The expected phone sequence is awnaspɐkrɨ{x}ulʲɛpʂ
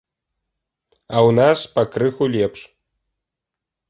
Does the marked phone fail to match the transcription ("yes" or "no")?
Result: no